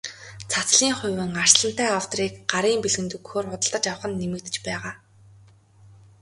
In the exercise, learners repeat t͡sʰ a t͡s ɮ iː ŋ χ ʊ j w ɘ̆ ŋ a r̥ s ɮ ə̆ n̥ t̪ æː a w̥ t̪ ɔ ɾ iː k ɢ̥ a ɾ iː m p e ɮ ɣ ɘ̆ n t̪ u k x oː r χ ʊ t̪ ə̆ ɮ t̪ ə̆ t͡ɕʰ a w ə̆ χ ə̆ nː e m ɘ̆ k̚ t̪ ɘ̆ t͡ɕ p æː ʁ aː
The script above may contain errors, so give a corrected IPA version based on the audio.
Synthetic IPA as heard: t͡sʰ a t͡s ɮ iː ŋ χ ʊ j w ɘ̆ ŋ a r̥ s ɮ ə̆ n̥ t̪ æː a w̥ t̪ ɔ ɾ iː k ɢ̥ a ɾ iː m p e ɮ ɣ ɘ̆ n t̪ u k x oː r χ ʊ t̪ ə̆ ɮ t̪ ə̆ t͡ɕ a w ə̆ χ ə̆ nː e m ɘ̆ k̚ t̪ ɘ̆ t͡ɕ p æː ʁ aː